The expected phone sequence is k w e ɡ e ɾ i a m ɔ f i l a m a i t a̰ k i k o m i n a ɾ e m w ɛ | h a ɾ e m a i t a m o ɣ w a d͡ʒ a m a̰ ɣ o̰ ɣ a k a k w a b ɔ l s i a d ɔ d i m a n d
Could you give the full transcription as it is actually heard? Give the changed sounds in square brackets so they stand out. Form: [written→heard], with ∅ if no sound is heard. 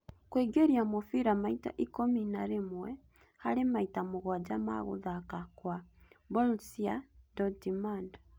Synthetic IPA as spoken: k w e ɡ e ɾ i a m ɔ f i [l→ɾ] a m a i t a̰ [k→ʔ] i k o m i n a ɾ e m w ɛ | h a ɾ e m a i t a m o ɣ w a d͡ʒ a m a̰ ɣ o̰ [ɣ→ð] a k a k w a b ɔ l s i a d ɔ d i m a n d

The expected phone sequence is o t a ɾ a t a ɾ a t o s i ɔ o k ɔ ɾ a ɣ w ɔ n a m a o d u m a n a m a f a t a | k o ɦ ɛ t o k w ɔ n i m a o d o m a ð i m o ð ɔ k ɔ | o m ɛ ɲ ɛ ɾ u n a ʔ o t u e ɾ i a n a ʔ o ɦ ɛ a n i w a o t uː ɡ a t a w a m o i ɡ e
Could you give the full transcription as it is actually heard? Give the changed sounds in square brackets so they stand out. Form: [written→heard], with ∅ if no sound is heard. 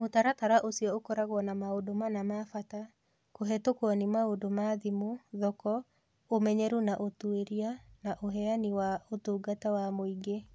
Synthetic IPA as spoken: o t a ɾ a t a ɾ a [t→ʔ] o s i ɔ o k ɔ ɾ a ɣ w ɔ n a m a o d [u→o] m a n a m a f a t a | k o ɦ ɛ t o k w ɔ n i m a o d o m a ð i m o ð ɔ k ɔ | o m ɛ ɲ ɛ ɾ u n a ʔ o t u e ɾ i a n a ʔ o ɦ ɛ a n i w a o t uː ɡ a t a w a m o i ɡ e

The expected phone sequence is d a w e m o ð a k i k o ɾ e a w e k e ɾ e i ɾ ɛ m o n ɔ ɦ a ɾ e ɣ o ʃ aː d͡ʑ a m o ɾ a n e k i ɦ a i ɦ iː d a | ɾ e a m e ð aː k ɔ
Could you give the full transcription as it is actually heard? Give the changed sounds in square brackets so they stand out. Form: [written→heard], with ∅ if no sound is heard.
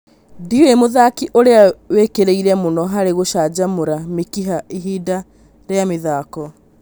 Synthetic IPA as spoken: d [a→i] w e m o ð a k i [k→ʔ] o ɾ e a w e k e ɾ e i ɾ ɛ m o n ɔ ɦ a ɾ e ɣ o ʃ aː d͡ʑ a m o ɾ a [n→m] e k i ɦ a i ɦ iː d a | ɾ e a m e ð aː k ɔ

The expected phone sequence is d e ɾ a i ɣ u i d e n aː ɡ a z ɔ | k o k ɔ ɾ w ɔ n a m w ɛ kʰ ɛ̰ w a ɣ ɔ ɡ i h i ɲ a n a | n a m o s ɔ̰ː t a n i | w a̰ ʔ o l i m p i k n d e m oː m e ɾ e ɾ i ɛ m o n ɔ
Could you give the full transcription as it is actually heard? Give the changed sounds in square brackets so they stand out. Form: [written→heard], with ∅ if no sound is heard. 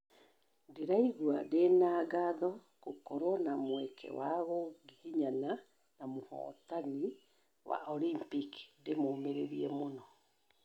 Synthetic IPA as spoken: d e ɾ a i ɣ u [i→a] d e n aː ɡ a [z→ð] ɔ | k o k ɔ ɾ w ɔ n a m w ɛ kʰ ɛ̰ w a ɣ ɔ ɡ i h i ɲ a n a | n a m o [s→h] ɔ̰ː t a n i | w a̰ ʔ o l i m p i k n d e m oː m e ɾ e ɾ i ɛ m o n ɔ

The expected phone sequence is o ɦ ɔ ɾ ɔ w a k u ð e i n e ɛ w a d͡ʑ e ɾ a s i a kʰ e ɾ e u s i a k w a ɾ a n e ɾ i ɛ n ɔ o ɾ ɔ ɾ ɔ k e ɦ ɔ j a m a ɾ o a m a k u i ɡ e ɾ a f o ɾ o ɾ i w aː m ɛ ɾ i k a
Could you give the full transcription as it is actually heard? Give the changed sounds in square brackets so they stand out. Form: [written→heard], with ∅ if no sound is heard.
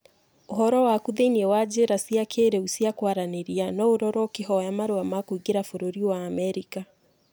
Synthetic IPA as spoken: o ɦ ɔ ɾ ɔ w a k u ð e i n [e→i] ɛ w a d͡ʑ e ɾ a s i a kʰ e ɾ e u s i a k w a ɾ a n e ɾ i [ɛ→a] n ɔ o ɾ ɔ ɾ ɔ k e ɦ ɔ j a m a ɾ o a m a k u i ɡ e ɾ a f o ɾ o ɾ i w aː m ɛ ɾ i k a

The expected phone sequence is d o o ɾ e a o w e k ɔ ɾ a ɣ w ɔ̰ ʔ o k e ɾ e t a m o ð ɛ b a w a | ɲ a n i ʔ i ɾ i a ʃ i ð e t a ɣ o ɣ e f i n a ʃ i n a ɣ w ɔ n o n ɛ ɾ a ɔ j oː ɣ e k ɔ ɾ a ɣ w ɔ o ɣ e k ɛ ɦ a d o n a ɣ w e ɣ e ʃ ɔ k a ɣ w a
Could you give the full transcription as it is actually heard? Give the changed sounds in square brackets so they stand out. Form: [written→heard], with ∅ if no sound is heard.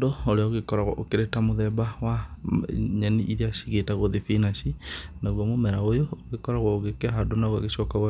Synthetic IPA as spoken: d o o ɾ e a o [w→ɣ] e k ɔ ɾ a ɣ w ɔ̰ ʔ o k e ɾ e t a m o ð ɛ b a w a | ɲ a n i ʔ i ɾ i a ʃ i [ð→ɣ] e t a ɣ o [ɣ→ð] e f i n a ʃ i n a ɣ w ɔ [n→m] o [n→m] ɛ ɾ a [ɔ→o] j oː ɣ e k ɔ ɾ a ɣ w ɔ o ɣ e k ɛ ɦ a d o n a ɣ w [e→a] ɣ e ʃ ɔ k a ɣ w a

